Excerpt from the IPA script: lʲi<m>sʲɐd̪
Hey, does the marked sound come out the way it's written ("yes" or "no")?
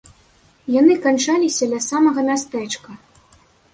no